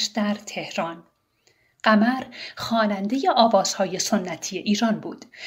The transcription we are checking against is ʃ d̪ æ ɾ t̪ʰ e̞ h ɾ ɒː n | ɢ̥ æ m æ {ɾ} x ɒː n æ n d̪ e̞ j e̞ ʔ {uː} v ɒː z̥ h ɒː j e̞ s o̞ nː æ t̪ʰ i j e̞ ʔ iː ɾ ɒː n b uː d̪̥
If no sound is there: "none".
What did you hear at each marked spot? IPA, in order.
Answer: ɾ, ɒː

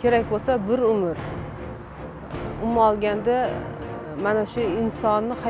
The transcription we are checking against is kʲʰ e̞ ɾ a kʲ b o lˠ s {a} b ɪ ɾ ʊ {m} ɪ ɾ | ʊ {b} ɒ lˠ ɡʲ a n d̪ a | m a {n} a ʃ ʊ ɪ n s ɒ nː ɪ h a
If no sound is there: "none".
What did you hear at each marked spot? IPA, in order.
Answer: a, m, m, n

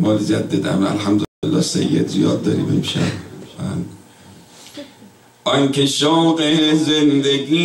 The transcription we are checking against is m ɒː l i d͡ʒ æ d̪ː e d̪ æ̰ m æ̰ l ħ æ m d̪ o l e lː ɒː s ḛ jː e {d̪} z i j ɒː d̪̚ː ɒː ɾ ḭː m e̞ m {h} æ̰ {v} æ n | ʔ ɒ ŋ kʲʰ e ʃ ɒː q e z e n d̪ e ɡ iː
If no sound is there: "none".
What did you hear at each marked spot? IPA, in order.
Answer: d̪, ʃ, b

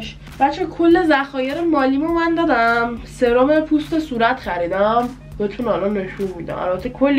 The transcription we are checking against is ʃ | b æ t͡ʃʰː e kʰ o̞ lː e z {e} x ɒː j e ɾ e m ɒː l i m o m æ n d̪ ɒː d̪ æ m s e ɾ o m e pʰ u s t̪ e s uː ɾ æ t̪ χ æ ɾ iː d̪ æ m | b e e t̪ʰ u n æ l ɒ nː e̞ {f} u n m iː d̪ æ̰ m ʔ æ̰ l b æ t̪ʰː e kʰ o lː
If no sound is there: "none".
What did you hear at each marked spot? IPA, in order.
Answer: æ, ʃ

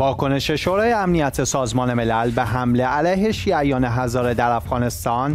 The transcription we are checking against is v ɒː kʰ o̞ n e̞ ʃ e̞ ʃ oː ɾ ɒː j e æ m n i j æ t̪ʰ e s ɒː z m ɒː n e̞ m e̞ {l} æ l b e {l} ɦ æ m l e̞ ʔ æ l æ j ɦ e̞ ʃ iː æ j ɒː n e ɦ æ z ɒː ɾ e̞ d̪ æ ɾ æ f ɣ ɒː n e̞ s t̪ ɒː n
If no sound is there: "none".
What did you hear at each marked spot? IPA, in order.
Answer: l, none

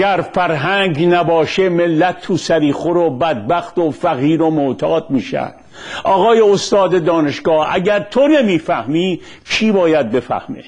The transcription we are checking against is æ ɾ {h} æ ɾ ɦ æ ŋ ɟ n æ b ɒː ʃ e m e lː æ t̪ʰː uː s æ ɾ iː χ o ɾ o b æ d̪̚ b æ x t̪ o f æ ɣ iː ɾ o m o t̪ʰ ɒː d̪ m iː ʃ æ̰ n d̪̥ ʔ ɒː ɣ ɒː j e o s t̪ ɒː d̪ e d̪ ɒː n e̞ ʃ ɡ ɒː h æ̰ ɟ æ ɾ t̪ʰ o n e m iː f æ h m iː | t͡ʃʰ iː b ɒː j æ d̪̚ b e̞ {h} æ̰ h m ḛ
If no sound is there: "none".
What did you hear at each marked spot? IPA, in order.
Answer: f, f

